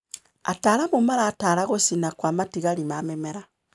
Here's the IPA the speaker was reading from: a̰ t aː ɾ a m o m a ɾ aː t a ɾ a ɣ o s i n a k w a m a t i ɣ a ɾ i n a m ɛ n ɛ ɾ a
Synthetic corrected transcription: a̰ t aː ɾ a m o m a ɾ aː t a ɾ a ɣ o s i n a k w a m a t i ɣ a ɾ i m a m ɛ m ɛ ɾ a